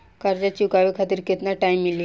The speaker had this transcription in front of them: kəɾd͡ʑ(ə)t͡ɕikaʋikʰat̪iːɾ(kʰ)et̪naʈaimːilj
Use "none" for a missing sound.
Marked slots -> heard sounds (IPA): a, k

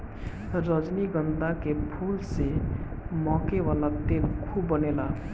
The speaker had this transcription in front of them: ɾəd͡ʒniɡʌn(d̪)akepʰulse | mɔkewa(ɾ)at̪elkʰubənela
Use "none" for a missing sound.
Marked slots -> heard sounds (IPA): d̪, l

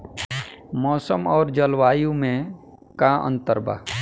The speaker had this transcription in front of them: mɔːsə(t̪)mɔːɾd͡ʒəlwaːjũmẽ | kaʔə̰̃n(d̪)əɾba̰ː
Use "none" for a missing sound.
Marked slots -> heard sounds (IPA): none, t̪

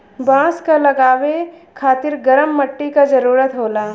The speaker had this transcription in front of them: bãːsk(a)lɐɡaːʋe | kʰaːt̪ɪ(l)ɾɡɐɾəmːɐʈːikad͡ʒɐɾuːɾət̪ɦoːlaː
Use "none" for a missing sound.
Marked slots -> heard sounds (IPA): a, none

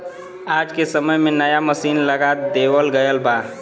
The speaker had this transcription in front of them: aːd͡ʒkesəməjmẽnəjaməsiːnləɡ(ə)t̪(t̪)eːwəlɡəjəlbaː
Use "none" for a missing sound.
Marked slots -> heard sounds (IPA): a, d̪

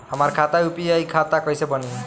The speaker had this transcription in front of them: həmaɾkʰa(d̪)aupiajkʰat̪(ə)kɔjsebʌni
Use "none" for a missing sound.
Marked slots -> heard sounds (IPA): t̪, a

